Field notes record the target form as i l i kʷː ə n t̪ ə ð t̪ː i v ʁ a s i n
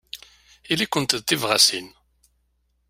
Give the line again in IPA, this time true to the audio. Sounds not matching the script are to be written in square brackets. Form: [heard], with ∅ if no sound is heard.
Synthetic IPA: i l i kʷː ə n t̪ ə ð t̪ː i v ʁ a s i n